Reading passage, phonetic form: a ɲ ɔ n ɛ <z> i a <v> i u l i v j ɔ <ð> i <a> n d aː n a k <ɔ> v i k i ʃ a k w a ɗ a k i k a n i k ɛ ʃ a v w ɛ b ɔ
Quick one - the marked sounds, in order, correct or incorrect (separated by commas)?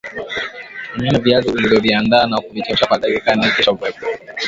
incorrect, incorrect, incorrect, correct, incorrect